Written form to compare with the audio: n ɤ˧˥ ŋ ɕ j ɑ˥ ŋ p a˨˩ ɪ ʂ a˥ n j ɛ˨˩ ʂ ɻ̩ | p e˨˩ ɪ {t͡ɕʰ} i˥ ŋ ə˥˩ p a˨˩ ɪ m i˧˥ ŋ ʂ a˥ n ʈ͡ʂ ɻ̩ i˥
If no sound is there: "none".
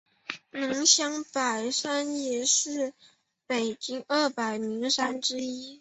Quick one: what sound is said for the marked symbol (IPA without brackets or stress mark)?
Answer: t͡ɕ